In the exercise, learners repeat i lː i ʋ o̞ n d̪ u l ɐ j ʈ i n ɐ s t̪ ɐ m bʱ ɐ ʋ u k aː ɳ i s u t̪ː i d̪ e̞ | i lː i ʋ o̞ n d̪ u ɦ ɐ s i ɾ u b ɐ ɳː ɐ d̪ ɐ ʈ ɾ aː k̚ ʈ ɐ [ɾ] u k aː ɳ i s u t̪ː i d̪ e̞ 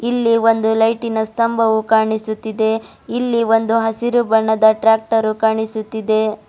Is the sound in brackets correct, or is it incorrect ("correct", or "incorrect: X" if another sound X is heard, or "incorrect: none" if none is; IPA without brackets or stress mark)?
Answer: correct